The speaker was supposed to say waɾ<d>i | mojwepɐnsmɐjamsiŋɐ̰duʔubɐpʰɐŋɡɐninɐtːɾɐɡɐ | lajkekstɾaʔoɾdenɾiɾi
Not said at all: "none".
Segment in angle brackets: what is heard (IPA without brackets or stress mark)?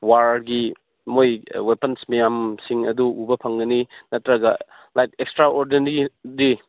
ɡ